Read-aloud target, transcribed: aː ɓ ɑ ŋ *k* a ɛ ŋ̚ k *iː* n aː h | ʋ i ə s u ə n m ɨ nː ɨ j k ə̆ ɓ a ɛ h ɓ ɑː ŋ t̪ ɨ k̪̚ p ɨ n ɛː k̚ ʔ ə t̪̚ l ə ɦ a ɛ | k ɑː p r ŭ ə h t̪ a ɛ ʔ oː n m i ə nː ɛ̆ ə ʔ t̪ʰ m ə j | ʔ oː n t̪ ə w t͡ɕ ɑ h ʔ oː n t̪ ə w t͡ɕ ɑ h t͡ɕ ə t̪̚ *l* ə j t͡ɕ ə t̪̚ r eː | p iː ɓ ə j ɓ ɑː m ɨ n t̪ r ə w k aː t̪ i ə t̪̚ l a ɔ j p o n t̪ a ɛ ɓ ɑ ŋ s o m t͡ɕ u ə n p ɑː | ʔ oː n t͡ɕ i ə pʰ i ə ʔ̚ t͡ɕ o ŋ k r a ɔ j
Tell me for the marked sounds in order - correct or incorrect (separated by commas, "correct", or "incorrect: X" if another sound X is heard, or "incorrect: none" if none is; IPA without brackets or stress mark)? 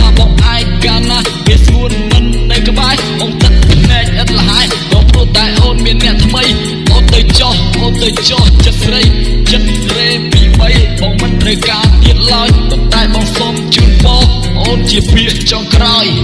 incorrect: ʔ, incorrect: aː, incorrect: r